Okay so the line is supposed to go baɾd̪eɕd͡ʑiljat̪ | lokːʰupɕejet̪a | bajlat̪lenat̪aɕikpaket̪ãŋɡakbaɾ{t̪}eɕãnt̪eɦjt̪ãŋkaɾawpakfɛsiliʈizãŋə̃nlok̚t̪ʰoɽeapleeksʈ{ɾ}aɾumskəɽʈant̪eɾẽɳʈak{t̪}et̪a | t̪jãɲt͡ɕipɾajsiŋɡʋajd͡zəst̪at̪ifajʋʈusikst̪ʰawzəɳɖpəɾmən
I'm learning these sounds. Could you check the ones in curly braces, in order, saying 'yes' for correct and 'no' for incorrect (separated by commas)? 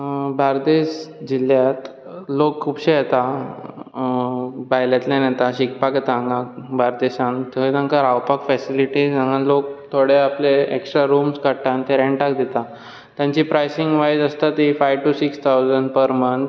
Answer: no, yes, no